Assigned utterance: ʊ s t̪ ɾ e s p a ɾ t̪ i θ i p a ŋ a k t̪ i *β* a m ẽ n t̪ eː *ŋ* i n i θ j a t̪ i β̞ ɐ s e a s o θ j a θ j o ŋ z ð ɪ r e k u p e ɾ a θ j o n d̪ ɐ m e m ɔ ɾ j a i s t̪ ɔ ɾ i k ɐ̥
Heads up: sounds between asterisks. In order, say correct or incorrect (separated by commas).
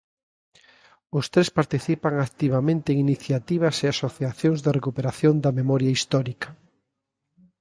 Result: correct, correct